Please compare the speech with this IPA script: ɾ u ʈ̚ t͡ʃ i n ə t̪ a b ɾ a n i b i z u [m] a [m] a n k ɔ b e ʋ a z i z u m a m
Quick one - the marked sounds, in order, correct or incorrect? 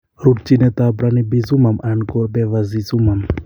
correct, correct

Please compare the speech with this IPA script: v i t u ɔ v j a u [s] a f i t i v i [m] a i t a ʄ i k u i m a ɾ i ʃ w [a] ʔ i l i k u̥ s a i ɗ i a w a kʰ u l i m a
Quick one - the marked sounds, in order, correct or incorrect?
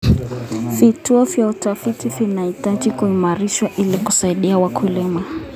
incorrect: t, incorrect: n, correct

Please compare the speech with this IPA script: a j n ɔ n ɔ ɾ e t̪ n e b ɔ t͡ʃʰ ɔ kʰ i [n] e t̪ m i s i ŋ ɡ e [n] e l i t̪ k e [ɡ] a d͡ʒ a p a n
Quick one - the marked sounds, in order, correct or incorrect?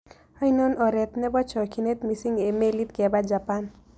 correct, incorrect: m, incorrect: b

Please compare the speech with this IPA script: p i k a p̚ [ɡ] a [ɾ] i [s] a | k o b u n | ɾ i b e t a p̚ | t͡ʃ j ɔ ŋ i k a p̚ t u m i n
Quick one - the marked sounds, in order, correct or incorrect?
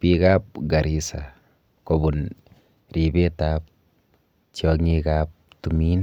correct, correct, correct

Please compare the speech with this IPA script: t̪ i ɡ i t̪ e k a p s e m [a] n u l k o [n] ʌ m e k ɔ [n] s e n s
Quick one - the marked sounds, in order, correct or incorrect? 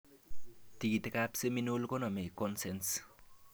incorrect: i, correct, correct

